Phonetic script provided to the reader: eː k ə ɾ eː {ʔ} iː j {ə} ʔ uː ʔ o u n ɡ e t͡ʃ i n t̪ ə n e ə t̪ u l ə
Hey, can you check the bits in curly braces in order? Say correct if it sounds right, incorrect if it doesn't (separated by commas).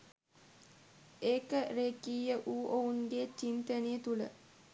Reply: incorrect, correct